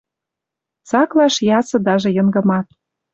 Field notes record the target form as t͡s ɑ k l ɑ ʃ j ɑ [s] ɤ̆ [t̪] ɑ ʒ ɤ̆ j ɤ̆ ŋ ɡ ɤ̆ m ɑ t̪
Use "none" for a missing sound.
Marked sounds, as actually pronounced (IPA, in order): s, d̪

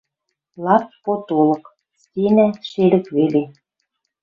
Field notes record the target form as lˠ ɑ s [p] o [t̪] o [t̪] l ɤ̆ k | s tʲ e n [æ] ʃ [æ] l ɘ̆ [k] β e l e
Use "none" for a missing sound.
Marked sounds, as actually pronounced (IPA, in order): p, t̪, none, æ, e, k

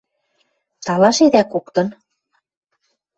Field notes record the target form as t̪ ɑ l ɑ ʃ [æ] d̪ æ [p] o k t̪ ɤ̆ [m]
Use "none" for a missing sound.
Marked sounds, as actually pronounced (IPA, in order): e, k, n

